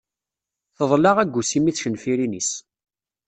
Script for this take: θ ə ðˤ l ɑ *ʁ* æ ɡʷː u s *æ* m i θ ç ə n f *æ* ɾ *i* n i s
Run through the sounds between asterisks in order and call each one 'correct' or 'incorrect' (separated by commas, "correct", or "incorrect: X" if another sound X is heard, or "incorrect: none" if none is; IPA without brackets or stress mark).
correct, incorrect: i, incorrect: i, correct